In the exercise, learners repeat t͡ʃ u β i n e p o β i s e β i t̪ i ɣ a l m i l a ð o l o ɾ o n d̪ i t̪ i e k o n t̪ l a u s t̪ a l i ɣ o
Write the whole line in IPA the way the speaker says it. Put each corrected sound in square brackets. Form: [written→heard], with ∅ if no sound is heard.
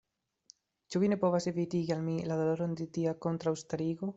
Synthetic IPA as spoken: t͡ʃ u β i n e p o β [i→a] s e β i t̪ i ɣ a l m i l a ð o l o ɾ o n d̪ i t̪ i [e→a] k o n t̪ [l→ɾ] a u s t̪ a [l→ɾ] i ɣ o